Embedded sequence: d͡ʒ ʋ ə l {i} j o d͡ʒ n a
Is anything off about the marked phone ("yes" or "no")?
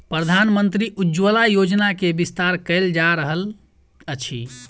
yes